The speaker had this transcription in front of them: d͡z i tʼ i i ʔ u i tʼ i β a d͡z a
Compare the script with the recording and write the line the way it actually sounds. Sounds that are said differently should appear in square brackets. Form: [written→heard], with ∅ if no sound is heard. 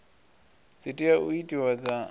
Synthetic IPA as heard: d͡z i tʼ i [i→a] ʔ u i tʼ i [β→w] a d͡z a